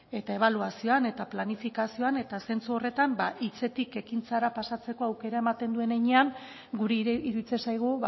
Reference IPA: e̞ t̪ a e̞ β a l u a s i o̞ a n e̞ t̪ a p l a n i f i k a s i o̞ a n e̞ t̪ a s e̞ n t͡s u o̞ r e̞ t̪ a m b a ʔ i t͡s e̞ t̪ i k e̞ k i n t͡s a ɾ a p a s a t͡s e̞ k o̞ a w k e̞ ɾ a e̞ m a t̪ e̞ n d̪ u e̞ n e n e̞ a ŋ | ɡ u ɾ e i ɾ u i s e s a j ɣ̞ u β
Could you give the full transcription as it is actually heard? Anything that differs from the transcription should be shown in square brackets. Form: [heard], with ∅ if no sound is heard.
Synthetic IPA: e̞ t̪ a e̞ β a l u a s i o̞ a n e̞ t̪ a p l a n i f i k a s i o̞ a n e̞ t̪ a s e̞ n t͡s u o̞ r e̞ t̪ a m b a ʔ i t͡s e̞ t̪ i k e̞ k i n t͡s a ɾ a p a s a t͡s e̞ k o̞ a w k e̞ ɾ a e̞ m a t̪ e̞ n d̪ u e̞ n e [ɲ] e̞ a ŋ | ɡ u ɾ e i ɾ u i [t͡s] e s a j ɣ̞ u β